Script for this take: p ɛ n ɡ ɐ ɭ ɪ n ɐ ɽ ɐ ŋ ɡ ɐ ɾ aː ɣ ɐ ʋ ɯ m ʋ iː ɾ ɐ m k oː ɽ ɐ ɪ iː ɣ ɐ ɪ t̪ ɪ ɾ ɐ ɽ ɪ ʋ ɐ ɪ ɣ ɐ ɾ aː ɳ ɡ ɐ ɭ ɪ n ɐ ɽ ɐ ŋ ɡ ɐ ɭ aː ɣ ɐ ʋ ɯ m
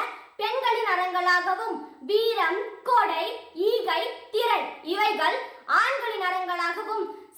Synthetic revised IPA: p ɛ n ɡ ɐ ɭ ɪ n ɐ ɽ ɐ ŋ ɡ ɐ ɭ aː ɣ ɐ ʋ ɯ m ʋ iː ɾ ɐ m k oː ɽ ɐ ɪ iː ɣ ɐ ɪ t̪ ɪ ɾ ɐ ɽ ɪ ʋ ɐ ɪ ɣ ɐ ɭ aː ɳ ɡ ɐ ɭ ɪ n ɐ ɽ ɐ ŋ ɡ ɐ ɭ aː ɣ ɐ ʋ ɯ m